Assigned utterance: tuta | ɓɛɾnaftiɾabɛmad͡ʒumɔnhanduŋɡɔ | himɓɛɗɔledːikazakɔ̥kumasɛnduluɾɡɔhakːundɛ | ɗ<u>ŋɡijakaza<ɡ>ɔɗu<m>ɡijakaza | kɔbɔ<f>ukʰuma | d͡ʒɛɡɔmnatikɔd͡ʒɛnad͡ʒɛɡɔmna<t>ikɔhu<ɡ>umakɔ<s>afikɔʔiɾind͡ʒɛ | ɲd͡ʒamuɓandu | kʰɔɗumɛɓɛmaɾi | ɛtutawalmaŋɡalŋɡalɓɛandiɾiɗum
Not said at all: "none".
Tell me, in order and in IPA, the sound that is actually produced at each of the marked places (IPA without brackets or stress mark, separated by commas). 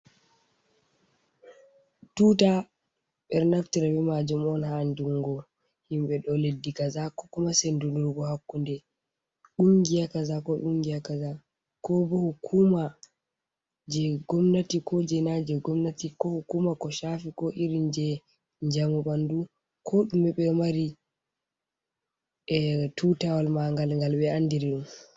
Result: u, k, ŋ, h, t, k, ʃ